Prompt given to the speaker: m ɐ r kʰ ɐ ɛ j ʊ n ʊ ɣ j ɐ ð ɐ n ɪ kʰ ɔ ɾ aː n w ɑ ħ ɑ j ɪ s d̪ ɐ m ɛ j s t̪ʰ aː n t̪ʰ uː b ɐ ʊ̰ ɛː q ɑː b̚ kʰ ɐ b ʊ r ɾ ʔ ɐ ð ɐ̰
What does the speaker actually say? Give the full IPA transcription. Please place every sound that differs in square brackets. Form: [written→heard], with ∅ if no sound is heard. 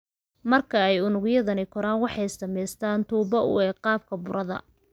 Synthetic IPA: m ɐ r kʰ ɐ ɛ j ʊ n ʊ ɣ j ɐ ð ɐ n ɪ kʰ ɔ ɾ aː n w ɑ ħ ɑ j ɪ s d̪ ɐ m ɛ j s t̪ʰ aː n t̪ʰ uː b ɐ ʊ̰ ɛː q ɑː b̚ kʰ ɐ b ʊ [r→∅] ɾ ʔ ɐ ð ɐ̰